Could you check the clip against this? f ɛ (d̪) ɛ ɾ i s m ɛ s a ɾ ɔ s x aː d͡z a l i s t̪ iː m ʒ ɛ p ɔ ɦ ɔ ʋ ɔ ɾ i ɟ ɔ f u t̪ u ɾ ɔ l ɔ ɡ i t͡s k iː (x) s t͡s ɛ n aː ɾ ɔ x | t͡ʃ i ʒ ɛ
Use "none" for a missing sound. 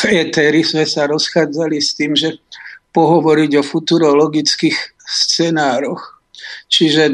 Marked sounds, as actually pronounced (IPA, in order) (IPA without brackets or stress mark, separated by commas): t̪, x